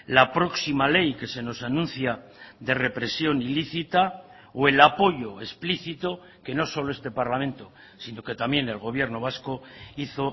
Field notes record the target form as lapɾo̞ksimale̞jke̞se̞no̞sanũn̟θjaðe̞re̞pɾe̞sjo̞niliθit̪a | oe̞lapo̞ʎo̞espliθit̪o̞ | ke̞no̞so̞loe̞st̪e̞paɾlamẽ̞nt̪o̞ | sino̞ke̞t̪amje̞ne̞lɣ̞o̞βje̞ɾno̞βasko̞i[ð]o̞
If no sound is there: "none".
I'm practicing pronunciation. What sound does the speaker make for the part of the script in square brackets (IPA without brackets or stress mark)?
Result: θ